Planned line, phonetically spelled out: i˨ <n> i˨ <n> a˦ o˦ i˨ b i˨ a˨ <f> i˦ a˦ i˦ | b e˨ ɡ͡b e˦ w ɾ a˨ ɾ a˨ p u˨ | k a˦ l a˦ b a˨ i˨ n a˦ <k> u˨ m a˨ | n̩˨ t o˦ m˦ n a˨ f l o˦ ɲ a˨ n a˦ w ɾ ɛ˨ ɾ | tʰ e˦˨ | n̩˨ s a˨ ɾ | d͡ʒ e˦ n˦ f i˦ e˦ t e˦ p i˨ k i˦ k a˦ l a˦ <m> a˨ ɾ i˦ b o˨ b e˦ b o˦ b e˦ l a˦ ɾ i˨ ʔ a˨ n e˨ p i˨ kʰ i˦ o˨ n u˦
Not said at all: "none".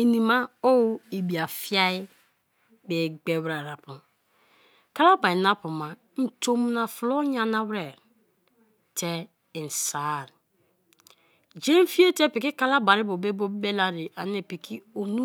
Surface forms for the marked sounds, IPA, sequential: n, m, f, p, b

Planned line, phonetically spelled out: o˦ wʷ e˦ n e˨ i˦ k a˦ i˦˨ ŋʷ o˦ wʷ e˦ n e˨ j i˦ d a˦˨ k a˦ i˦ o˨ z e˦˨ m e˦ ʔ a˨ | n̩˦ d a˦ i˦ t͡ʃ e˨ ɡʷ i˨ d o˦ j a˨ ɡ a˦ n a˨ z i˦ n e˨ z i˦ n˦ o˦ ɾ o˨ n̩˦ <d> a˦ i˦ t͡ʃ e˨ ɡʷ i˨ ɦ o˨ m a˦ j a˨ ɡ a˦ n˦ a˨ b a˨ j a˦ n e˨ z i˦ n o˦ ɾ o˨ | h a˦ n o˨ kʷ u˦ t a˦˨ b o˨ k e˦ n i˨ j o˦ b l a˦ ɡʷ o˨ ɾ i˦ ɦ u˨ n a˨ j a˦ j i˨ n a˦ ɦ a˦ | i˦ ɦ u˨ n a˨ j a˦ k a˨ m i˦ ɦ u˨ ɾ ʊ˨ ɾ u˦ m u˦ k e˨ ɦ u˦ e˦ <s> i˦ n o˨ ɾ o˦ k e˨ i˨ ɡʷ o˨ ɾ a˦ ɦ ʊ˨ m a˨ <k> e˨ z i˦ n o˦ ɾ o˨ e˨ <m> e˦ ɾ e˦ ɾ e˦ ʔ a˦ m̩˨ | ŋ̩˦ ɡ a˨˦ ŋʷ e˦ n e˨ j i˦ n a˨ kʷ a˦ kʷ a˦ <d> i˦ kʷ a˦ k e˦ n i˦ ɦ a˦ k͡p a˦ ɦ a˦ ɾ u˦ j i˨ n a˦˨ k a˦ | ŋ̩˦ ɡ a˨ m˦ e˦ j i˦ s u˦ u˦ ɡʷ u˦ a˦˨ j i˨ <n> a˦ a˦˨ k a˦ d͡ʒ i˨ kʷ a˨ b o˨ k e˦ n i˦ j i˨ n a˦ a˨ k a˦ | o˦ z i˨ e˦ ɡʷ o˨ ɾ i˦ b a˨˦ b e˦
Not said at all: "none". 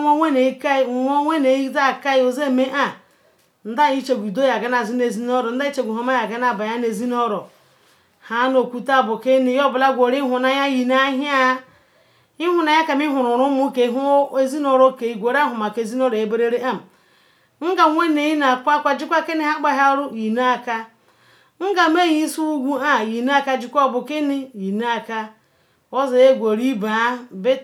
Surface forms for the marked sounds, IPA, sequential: d, z, k, b, d͡ʒ, n

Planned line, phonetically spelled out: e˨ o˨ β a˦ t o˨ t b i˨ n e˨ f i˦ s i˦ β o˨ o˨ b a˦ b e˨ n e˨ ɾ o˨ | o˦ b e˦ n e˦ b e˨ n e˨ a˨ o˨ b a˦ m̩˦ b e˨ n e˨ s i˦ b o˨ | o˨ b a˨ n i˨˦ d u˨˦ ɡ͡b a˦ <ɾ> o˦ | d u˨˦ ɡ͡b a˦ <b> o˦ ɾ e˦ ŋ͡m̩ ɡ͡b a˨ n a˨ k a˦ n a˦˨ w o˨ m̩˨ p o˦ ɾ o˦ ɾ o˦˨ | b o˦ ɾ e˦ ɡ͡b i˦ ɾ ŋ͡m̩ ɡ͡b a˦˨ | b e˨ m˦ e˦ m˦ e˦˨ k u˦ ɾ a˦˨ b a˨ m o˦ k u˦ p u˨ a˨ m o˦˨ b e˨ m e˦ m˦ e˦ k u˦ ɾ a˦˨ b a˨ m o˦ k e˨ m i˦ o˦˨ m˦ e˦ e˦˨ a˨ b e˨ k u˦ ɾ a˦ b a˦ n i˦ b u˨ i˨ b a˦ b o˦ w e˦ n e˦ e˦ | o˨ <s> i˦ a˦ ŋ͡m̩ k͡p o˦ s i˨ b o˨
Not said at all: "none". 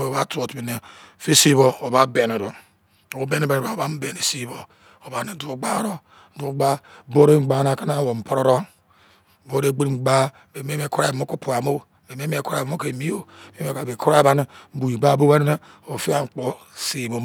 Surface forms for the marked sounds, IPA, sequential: ɾ, b, f

